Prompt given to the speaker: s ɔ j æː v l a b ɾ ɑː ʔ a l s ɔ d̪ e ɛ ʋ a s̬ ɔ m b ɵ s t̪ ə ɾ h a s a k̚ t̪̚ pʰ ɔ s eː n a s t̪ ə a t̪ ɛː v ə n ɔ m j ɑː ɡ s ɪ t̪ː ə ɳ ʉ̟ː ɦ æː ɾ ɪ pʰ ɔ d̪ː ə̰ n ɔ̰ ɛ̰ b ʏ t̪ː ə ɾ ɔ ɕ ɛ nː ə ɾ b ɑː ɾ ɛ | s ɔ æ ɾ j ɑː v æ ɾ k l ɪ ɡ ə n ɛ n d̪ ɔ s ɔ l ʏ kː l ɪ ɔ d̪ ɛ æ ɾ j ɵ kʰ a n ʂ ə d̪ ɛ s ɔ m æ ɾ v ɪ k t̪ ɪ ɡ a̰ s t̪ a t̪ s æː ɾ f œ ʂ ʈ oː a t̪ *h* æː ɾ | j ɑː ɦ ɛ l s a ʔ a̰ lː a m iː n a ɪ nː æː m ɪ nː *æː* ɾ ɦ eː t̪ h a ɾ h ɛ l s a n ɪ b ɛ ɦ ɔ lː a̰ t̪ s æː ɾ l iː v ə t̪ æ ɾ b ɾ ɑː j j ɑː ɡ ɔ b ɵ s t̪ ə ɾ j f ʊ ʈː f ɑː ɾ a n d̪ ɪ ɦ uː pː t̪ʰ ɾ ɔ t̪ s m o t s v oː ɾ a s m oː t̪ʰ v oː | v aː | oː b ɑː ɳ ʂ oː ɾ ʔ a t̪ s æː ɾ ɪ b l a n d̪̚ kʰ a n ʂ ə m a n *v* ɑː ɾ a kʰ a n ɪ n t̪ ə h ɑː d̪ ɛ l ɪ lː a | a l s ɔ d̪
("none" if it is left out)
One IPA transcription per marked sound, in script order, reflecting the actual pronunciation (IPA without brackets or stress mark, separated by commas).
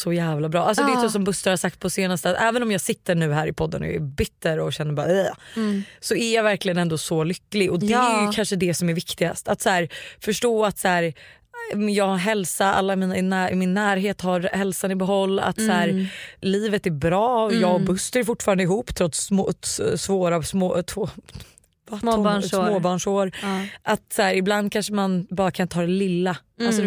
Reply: s, æː, b